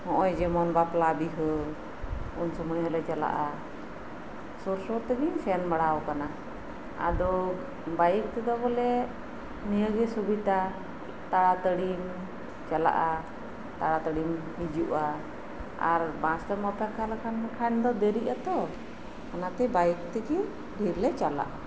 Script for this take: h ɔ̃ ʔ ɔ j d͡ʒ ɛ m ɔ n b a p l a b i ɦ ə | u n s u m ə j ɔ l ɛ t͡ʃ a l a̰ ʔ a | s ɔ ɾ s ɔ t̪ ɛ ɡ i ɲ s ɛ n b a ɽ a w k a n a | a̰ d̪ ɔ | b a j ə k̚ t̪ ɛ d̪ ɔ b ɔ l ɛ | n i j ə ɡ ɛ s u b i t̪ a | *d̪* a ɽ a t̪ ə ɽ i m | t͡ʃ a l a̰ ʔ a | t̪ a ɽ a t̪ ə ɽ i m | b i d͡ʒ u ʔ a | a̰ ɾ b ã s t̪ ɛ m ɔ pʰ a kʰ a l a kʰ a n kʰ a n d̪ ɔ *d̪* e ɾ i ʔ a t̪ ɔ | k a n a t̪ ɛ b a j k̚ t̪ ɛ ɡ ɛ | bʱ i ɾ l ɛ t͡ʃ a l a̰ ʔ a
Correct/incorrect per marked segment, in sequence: incorrect: t̪, correct

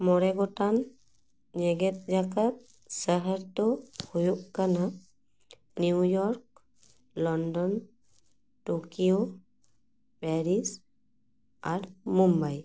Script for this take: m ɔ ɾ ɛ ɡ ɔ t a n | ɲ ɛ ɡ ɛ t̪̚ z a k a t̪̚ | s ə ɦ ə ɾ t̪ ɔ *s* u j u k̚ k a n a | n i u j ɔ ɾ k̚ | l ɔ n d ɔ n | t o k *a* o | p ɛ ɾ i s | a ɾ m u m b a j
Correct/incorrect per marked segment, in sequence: incorrect: h, incorrect: i

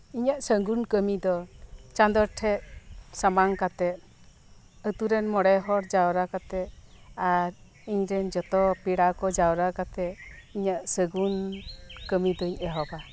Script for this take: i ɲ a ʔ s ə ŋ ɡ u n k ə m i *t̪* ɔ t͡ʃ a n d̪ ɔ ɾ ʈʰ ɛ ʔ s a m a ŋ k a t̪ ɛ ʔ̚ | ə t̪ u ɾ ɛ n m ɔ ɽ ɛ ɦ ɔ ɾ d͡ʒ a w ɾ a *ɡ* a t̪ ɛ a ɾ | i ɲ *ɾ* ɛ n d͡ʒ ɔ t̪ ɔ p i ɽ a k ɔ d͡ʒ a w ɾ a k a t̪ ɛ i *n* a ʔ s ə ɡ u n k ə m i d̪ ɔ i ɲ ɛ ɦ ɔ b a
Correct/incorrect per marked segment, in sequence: incorrect: d̪, incorrect: k, correct, incorrect: ɲ

